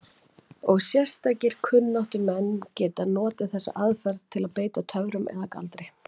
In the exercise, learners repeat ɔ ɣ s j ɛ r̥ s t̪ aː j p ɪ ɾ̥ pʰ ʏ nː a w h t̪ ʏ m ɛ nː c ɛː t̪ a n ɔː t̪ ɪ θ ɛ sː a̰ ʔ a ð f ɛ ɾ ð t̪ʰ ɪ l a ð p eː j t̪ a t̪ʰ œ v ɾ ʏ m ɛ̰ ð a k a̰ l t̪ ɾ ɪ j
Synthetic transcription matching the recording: ɔ ɣ s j ɛ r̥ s t̪ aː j c ɪ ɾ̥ kʰ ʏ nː a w h t̪ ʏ m ɛ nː c ɛː t̪ a n ɔː t̪ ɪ θ ɛ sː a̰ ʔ a ð f ɛ ɾ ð t̪ʰ ɪ l a ð p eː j t̪ a t̪ʰ œ v ɾ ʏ m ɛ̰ ð a k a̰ l t̪ ɾ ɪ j